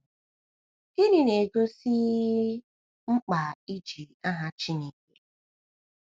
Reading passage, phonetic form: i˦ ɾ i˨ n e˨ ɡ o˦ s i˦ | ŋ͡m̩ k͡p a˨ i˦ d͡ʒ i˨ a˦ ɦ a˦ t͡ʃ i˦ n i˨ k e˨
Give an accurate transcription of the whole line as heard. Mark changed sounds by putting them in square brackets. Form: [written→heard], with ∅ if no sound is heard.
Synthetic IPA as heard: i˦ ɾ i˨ n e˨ ɡ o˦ s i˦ | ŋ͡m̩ k͡p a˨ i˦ d͡ʒ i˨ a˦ ɦ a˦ t͡ʃ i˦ n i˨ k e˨